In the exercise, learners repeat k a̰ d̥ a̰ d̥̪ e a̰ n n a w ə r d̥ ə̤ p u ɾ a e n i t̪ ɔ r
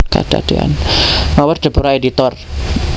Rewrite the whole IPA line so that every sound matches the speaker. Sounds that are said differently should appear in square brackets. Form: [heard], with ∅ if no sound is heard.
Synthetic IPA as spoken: k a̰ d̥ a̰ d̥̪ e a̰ n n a w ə r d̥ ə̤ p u ɾ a e [d] i t̪ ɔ r